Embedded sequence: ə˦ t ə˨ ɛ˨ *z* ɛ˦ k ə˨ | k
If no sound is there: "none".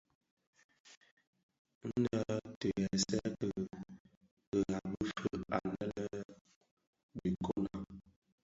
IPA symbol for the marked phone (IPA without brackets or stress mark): s